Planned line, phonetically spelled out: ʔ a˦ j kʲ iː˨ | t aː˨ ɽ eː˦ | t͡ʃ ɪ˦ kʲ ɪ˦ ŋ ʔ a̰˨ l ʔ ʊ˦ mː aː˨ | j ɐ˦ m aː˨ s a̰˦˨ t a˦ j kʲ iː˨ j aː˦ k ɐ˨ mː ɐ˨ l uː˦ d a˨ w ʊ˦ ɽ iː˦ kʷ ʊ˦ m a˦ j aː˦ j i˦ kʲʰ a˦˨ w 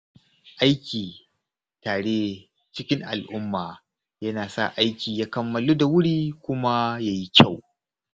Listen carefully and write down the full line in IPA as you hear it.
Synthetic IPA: ʔ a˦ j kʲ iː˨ | t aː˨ ɽ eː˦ | t͡ʃ ɪ˦ kʲ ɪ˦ ŋ ʔ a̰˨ l ʔ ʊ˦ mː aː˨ | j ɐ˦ n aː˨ s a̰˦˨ ʔ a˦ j kʲ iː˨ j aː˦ k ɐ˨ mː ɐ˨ l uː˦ d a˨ w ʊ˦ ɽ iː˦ kʷ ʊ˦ m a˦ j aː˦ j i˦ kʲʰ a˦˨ w